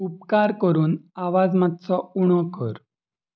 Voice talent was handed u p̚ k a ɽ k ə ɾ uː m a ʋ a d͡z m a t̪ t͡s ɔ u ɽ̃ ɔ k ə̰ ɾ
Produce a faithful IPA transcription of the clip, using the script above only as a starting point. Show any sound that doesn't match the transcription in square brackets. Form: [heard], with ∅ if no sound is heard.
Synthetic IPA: u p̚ k a [ɾ] k ə ɾ uː [n] a ʋ a d͡z m a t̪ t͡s ɔ u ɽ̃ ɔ k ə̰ ɾ